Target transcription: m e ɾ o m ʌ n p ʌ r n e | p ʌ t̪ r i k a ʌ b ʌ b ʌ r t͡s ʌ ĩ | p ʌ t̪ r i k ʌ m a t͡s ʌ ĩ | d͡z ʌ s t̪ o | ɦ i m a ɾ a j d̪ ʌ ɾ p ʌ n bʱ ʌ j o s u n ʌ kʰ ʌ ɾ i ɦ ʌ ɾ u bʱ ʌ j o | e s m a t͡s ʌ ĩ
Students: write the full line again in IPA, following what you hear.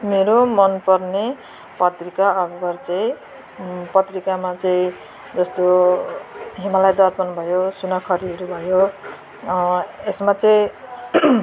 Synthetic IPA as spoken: m e ɾ o m ʌ n p ʌ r n e | p ʌ t̪ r i k a ʌ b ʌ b ʌ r t͡s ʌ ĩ | p ʌ t̪ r i k a m a t͡s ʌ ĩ | d͡z ʌ s t̪ o | ɦ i m a l a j d̪ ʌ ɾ p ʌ n bʱ ʌ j o s u n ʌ kʰ ʌ ɾ i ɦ ʌ ɾ u bʱ ʌ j o | e s m a t͡s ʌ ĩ